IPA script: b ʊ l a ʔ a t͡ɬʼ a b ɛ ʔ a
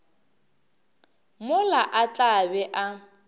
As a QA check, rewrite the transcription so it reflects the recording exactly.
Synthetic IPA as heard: m ʊ l a ʔ a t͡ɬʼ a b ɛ ʔ a